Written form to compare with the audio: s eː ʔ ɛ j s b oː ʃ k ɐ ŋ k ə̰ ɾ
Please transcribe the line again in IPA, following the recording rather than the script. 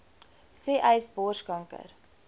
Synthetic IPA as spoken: s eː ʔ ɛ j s b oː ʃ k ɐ ŋ k ə̰ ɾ